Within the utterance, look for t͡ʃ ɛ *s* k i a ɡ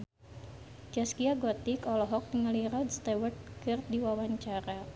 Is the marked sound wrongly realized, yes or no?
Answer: no